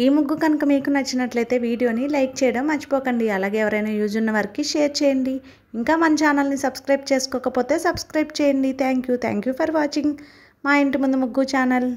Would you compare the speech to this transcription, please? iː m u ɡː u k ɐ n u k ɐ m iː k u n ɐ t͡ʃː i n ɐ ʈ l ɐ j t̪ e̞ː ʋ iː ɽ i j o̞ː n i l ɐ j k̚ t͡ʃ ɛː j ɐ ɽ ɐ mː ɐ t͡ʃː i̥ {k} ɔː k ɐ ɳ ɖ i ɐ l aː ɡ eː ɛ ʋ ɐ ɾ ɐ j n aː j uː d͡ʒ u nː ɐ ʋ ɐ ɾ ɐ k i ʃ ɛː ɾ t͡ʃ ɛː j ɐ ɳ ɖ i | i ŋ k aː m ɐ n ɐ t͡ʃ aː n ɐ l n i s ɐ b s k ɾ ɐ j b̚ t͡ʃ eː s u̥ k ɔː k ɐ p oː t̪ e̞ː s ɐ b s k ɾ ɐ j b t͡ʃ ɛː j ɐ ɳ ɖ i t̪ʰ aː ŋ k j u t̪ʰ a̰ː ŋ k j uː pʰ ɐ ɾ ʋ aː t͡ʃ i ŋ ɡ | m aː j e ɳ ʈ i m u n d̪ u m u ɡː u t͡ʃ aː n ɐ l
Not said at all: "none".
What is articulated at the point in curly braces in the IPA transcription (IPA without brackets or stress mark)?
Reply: p